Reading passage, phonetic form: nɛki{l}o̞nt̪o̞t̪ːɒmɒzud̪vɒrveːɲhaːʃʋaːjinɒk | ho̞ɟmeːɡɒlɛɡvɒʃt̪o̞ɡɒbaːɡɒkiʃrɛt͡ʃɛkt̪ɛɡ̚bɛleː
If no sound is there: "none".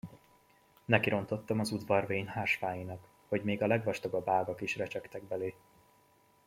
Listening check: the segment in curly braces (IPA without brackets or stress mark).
ɾ